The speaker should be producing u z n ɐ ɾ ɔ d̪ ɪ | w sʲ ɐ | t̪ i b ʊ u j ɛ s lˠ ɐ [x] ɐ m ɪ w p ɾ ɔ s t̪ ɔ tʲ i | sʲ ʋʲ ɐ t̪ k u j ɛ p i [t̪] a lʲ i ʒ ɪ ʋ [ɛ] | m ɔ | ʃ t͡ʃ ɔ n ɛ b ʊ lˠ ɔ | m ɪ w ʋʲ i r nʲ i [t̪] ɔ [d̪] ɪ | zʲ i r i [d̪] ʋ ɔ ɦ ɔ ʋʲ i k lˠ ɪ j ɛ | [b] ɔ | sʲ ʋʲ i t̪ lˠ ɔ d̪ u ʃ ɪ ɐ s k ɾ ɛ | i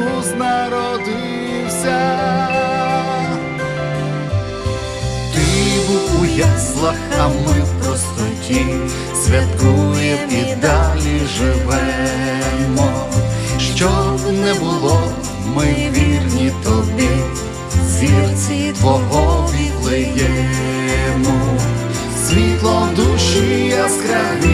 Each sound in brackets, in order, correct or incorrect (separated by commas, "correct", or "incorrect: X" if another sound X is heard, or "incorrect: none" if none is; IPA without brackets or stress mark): correct, incorrect: d̪, correct, correct, correct, incorrect: t̪, incorrect: m